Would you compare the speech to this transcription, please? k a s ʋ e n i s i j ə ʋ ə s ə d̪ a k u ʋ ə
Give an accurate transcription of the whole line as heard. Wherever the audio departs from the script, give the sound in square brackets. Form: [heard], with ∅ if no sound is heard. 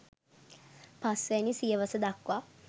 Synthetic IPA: [p] a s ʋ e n i s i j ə ʋ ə s ə d̪ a k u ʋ [a]